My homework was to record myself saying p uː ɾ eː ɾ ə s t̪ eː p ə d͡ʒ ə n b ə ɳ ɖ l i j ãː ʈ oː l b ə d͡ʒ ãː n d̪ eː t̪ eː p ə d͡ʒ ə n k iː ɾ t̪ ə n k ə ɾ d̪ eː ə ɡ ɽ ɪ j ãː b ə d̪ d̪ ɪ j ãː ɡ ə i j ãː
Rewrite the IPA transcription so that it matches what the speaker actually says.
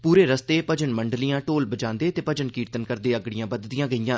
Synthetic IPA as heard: p uː ɾ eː ɾ ə s t̪ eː p ə d͡ʒ ə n m ə ɳ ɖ l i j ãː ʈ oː l b ə d͡ʒ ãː n d̪ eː t̪ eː p ə d͡ʒ ə n k iː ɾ t̪ ə n k ə ɾ d̪ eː ə ɡ ɽ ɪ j ãː b ə d̪ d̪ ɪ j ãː ɡ ə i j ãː